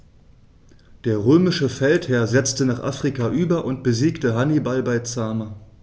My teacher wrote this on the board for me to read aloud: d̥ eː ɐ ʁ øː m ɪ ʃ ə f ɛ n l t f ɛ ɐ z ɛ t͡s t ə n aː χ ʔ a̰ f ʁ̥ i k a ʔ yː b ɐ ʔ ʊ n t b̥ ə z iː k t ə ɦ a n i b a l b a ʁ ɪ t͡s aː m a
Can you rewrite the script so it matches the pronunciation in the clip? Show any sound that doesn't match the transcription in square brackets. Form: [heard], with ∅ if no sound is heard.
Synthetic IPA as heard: d̥ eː ɐ ʁ øː m ɪ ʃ ə f ɛ [∅] l t [h] ɛ ɐ z ɛ t͡s t ə n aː χ ʔ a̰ f ʁ̥ i k a ʔ yː b ɐ ʔ ʊ n t b̥ ə z iː k t ə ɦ a n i b a l b a [∅] ɪ t͡s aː m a